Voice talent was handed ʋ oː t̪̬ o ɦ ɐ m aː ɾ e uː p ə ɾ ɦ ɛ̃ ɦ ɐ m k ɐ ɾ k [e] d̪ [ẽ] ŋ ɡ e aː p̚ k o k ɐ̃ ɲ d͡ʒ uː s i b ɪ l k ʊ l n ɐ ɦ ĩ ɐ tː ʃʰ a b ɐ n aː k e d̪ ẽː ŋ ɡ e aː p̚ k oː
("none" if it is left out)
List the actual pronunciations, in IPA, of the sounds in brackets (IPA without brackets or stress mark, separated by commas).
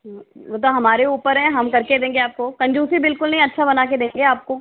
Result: e, ẽː